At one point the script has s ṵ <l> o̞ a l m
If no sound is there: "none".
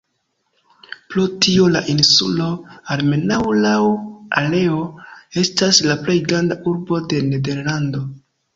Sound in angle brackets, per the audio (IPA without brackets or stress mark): l